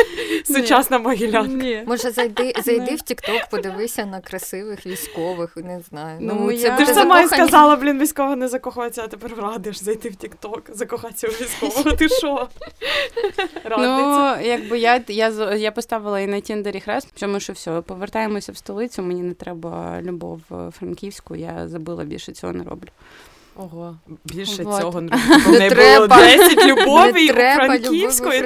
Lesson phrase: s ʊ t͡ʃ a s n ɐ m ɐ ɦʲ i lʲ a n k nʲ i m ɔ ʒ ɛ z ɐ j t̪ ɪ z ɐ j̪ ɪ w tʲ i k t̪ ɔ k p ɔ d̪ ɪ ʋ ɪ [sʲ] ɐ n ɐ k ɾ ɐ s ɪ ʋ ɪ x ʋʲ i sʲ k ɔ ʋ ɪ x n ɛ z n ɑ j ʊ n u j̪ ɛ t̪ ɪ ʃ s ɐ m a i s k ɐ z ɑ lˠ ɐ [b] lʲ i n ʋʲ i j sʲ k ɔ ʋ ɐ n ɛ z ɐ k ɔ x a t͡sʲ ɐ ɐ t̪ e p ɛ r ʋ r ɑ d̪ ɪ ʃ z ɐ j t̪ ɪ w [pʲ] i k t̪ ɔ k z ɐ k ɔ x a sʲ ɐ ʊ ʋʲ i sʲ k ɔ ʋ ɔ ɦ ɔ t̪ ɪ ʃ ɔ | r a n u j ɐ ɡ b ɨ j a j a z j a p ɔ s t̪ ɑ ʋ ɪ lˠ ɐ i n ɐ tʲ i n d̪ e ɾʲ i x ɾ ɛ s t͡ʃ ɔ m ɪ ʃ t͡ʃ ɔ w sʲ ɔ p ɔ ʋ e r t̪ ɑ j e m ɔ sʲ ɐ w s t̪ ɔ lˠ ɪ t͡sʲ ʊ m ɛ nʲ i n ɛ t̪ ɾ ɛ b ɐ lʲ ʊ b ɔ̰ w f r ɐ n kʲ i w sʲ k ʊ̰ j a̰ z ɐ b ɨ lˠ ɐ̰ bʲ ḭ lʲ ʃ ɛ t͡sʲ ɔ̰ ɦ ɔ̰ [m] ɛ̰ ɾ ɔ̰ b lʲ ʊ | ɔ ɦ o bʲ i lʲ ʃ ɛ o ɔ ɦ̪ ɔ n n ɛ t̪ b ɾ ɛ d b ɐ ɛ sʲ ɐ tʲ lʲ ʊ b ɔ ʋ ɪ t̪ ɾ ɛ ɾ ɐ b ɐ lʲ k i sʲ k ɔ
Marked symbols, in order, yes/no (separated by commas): yes, yes, no, no